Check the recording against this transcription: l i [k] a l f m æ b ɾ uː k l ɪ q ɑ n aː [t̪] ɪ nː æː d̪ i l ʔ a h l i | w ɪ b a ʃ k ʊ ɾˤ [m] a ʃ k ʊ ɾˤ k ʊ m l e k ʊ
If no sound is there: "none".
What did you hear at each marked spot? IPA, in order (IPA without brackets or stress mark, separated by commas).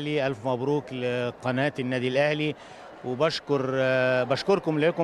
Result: ʔ, t̪, b